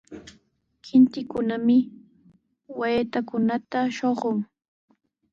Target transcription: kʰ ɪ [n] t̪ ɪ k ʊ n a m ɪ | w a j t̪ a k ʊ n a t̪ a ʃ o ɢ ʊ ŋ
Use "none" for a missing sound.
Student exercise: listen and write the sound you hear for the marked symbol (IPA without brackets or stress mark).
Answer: n